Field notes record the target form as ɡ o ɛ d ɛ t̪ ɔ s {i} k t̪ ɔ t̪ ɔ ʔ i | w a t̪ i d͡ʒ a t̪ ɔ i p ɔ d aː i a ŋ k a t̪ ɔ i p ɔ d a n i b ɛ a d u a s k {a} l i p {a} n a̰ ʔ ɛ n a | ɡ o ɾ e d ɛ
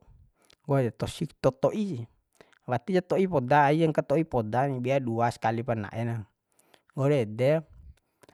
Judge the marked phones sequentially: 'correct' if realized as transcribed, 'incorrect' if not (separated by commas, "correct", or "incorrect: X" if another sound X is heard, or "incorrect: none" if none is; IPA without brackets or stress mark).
correct, correct, correct